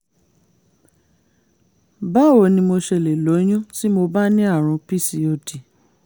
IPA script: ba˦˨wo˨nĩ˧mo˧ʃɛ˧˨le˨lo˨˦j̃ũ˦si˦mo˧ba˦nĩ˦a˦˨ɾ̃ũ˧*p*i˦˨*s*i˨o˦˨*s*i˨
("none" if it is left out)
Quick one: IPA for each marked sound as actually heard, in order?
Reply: p, s, t

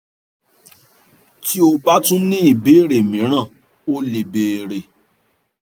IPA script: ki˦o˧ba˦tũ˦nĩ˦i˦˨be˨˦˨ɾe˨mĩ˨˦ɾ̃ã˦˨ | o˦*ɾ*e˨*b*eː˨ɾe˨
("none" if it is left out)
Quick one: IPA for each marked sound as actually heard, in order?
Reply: l, b

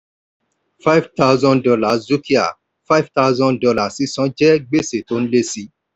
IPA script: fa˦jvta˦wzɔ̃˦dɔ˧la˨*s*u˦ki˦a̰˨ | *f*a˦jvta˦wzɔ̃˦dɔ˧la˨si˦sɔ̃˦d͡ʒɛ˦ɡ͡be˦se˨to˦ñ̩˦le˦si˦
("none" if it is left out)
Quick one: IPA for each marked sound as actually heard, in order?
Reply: z, f

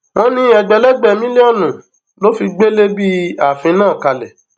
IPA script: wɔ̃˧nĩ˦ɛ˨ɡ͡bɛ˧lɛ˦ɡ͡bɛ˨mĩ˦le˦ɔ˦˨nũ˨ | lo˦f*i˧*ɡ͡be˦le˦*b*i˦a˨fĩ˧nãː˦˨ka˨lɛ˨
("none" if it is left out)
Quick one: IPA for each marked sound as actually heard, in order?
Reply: i˧, b

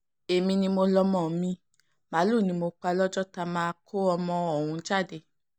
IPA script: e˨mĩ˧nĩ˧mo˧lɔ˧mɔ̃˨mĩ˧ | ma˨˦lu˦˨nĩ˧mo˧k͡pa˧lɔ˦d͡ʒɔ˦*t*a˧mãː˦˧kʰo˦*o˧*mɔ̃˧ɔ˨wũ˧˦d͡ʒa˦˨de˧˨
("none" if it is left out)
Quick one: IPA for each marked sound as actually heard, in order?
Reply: t, ɔ˧

